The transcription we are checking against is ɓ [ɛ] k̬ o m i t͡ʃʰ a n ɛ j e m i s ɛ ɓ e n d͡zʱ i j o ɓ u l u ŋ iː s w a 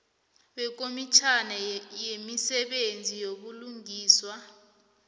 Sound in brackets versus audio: correct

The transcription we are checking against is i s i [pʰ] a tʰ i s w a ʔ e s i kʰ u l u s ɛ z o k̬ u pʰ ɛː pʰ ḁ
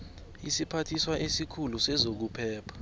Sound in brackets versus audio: correct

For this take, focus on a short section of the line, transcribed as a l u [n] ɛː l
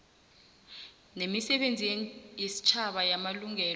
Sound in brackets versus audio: incorrect: ŋ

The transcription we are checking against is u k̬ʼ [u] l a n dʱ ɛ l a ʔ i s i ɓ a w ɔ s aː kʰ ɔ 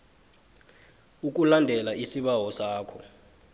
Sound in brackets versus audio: correct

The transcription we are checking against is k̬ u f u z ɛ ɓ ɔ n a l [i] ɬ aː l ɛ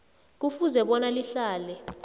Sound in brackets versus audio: correct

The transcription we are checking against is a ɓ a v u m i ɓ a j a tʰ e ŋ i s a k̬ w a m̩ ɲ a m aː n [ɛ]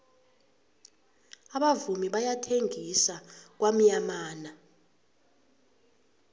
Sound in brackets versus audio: incorrect: a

